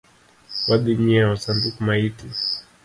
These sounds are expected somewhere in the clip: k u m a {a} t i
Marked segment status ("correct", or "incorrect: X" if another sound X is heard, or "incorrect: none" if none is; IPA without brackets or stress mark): incorrect: i